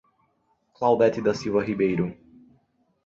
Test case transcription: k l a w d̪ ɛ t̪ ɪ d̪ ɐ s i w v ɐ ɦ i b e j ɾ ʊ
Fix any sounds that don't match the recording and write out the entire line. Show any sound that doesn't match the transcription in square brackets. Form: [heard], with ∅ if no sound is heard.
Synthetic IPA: k l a w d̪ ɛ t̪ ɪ d̪ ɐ s i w v ɐ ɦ i b e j ɾ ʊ